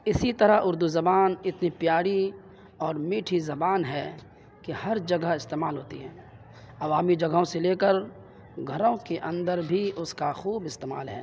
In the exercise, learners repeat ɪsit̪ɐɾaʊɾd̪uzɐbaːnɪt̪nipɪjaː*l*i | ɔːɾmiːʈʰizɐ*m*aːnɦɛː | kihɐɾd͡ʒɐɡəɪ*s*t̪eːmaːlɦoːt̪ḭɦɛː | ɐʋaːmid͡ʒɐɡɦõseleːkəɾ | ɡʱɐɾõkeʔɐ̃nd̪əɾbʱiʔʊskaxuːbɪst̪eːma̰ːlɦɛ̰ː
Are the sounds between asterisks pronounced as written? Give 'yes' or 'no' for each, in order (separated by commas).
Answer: no, no, yes